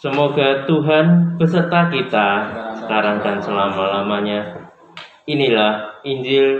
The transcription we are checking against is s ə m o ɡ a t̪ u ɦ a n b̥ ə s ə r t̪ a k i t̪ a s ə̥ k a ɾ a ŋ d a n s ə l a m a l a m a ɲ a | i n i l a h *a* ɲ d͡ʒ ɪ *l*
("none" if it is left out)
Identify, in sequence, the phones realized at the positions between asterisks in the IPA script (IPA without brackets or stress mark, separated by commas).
i, l